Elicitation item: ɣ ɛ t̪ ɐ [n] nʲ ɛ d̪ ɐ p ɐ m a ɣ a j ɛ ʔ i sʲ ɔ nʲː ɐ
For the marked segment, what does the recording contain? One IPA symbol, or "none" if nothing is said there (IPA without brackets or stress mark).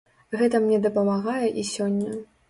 m